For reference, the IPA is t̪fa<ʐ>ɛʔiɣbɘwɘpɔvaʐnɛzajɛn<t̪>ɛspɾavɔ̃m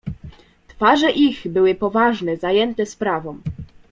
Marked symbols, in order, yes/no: yes, yes

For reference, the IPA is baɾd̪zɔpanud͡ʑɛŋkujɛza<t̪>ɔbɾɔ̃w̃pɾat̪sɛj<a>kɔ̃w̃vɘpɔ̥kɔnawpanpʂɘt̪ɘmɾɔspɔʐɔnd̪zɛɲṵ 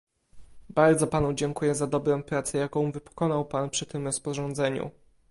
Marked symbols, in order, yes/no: no, yes

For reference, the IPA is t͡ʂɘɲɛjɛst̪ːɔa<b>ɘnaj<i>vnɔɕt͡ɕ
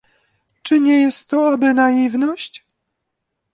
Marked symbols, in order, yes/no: yes, yes

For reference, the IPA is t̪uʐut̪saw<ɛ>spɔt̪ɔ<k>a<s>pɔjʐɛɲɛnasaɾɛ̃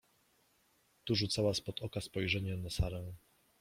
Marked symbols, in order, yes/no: no, yes, yes

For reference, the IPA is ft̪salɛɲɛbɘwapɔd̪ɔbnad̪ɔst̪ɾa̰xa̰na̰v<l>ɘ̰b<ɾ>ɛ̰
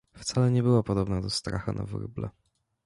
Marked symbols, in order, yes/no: no, no

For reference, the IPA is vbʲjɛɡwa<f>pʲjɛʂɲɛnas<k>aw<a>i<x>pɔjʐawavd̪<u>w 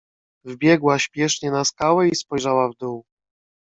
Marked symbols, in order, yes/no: no, yes, no, no, yes

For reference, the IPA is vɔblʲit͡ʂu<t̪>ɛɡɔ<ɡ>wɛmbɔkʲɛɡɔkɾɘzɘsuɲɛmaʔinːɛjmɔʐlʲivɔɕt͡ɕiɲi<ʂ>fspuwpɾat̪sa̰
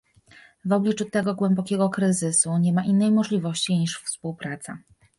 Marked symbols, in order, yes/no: yes, yes, yes

